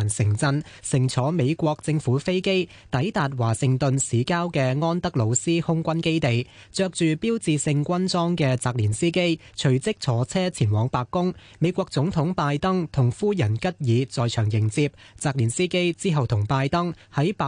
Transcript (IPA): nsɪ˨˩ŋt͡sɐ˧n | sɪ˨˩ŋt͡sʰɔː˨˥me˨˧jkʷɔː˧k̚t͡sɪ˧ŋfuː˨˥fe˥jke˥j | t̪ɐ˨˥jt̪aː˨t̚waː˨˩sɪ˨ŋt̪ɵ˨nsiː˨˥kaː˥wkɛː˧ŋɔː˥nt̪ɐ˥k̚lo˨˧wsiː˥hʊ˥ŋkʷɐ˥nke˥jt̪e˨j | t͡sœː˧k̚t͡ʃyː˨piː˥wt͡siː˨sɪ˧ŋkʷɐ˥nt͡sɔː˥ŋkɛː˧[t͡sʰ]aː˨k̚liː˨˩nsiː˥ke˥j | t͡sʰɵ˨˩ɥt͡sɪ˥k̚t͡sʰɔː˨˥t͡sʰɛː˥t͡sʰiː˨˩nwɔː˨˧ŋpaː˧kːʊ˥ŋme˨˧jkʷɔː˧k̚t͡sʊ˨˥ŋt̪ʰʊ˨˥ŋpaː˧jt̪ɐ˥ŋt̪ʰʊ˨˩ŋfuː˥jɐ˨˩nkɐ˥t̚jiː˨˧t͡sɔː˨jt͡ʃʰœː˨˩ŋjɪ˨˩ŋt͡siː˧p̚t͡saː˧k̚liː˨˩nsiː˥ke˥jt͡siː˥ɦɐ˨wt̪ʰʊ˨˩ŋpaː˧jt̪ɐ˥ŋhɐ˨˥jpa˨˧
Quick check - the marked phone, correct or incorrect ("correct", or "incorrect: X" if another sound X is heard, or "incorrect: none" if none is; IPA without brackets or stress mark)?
incorrect: t͡s